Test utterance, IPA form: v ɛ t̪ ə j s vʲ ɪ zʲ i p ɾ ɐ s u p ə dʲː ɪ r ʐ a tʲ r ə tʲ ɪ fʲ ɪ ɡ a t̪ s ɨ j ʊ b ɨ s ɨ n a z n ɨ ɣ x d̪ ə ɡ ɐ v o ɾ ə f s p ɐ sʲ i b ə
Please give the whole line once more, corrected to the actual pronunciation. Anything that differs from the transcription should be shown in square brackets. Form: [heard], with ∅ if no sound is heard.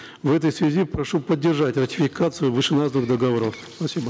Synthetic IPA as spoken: v ɛ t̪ ə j s vʲ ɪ zʲ i p ɾ ɐ [ʂ] u p ə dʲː ɪ r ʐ a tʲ r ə tʲ ɪ fʲ ɪ [k] a t̪ s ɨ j ʊ [v] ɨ [ʂ] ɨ n a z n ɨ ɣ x d̪ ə ɡ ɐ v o ɾ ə f s p ɐ sʲ i b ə